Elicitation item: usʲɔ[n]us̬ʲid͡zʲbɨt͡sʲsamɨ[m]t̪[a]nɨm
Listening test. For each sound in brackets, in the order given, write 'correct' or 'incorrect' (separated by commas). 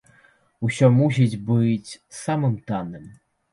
incorrect, correct, correct